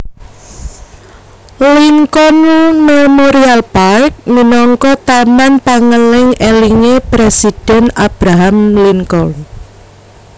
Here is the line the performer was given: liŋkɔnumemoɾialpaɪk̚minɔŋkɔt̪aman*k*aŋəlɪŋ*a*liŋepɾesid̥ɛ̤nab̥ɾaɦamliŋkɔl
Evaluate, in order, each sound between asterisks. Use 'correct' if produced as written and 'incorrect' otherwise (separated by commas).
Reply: incorrect, incorrect